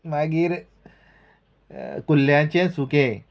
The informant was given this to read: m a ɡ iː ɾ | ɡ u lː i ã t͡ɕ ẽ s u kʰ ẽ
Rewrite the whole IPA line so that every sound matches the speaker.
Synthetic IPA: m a ɡ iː ɾ | k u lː j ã t͡ɕ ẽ s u k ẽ